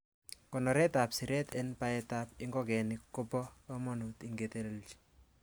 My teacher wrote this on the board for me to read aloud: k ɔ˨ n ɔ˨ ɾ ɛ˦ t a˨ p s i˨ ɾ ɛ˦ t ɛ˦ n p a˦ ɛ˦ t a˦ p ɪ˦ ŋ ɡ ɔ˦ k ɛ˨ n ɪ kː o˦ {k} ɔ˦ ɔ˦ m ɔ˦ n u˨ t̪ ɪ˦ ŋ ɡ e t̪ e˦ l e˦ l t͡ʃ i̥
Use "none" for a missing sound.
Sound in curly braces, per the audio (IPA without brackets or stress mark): p